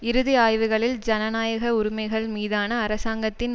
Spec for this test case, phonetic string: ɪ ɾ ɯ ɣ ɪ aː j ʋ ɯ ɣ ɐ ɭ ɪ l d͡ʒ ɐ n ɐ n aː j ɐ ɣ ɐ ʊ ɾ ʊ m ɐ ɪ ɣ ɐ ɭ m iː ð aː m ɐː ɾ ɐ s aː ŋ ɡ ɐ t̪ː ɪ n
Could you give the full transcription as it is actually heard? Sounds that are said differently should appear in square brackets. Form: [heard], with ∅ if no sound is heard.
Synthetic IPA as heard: ɪ ɾ ɯ [ð] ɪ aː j ʋ ɯ ɣ ɐ ɭ ɪ l d͡ʒ ɐ n ɐ n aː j ɐ ɣ ɐ ʊ ɾ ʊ m ɐ ɪ ɣ ɐ ɭ m iː ð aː [n] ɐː ɾ ɐ s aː ŋ ɡ ɐ t̪ː ɪ n